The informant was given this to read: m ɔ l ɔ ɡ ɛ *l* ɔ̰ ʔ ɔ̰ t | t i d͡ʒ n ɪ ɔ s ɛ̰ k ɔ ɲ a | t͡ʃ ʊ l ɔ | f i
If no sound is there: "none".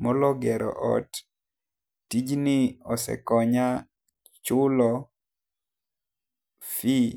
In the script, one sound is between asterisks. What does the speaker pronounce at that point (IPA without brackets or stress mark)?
ɾ